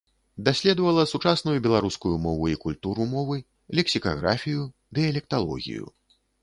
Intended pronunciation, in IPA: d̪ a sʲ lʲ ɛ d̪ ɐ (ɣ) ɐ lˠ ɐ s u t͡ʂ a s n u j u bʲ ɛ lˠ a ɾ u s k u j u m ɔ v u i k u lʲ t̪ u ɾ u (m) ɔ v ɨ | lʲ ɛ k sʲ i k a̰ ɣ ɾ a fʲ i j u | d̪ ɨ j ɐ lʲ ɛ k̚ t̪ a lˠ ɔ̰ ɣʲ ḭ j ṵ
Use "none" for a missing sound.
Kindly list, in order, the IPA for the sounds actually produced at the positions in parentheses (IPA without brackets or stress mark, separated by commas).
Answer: v, m